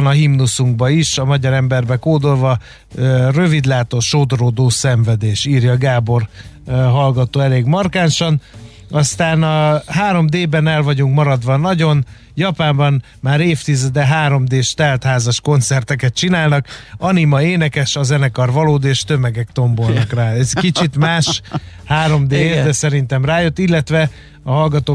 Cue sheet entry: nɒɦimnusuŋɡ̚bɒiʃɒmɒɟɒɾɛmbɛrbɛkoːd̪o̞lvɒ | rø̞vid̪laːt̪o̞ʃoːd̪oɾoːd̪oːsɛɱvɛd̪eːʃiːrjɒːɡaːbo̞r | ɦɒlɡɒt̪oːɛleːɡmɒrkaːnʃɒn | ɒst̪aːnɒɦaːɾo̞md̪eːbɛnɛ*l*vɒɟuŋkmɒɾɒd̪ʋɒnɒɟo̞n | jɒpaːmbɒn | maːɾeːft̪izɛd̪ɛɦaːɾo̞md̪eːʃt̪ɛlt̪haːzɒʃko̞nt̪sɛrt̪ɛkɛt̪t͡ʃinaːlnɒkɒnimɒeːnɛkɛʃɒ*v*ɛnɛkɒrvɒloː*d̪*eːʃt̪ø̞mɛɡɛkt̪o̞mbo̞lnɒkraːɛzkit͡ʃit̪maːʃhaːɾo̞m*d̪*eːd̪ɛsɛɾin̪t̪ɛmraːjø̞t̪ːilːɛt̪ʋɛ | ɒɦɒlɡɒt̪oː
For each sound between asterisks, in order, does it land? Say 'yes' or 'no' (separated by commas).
yes, no, yes, yes